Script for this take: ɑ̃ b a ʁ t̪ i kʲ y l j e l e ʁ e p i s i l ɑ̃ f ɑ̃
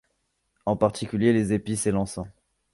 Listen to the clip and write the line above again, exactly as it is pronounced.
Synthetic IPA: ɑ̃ p a ʁ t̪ i kʲ y l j e l e z e p i s e l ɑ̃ s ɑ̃